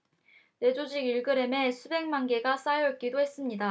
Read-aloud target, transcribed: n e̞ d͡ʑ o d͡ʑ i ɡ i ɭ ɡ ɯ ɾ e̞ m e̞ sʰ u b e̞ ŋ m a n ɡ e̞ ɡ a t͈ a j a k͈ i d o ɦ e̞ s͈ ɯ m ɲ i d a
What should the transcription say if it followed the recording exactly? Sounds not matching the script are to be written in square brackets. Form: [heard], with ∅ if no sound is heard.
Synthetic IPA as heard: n e̞ d͡ʑ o d͡ʑ i ɡ i ɭ ɡ ɯ ɾ e̞ m e̞ sʰ u b e̞ ŋ m a n ɡ e̞ ɡ a [s͈] a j [ʌ] k͈ i d o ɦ e̞ s͈ ɯ m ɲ i d a